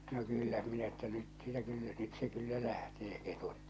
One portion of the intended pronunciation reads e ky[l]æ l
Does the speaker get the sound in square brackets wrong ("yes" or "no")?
yes